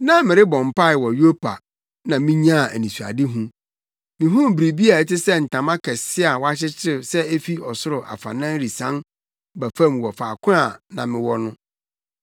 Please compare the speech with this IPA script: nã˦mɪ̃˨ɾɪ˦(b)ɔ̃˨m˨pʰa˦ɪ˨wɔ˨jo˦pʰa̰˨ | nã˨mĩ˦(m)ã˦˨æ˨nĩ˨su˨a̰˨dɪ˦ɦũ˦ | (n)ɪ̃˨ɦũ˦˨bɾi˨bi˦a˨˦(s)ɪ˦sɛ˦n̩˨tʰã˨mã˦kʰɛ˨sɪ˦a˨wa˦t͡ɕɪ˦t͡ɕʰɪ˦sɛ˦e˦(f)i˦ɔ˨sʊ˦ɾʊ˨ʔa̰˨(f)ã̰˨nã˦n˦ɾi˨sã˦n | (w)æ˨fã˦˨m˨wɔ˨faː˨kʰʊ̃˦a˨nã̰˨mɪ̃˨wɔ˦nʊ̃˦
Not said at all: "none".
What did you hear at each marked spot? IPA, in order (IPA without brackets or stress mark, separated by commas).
b, ɲ, m, t, f, f, b